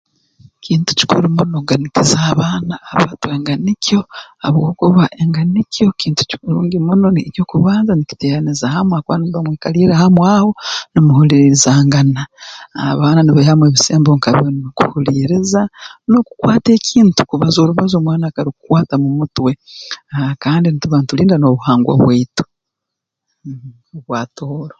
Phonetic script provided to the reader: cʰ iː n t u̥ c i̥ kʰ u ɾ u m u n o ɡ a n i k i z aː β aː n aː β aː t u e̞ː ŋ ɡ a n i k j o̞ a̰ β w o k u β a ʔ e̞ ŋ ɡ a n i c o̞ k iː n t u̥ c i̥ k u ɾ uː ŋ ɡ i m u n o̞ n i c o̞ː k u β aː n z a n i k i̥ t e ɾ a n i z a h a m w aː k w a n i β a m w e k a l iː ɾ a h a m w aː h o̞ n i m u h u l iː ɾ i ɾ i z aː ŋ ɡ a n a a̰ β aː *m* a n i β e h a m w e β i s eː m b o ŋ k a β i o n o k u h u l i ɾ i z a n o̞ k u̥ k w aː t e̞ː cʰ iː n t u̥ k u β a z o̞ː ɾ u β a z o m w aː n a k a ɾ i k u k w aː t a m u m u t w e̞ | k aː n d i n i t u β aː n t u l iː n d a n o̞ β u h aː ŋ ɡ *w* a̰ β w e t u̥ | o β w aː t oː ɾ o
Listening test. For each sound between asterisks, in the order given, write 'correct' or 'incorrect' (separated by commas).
incorrect, correct